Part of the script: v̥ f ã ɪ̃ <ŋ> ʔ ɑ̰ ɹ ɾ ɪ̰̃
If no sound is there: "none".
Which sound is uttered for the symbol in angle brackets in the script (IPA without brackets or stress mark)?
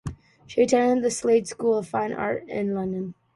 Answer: n